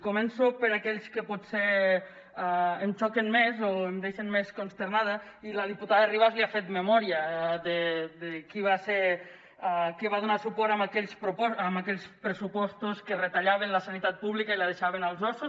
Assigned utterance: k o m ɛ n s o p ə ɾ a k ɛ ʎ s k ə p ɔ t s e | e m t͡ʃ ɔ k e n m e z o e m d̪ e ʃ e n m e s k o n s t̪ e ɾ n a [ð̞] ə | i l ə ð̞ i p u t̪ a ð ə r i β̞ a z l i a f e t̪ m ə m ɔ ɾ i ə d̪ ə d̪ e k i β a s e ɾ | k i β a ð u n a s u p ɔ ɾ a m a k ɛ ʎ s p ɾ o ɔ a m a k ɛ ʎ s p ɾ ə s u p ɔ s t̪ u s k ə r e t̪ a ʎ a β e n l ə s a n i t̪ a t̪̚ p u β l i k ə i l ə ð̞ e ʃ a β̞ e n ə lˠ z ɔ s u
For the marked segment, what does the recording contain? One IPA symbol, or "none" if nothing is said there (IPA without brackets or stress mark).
ð̞